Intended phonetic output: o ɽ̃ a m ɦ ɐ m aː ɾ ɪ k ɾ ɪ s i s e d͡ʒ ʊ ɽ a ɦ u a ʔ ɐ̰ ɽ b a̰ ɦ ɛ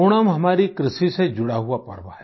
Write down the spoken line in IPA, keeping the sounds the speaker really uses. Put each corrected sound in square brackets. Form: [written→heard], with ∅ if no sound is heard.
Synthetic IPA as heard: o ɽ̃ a m ɦ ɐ m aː ɾ [ɪ→i] k ɾ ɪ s i s e d͡ʒ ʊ ɽ a ɦ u a [ʔ→p] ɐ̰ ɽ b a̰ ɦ ɛ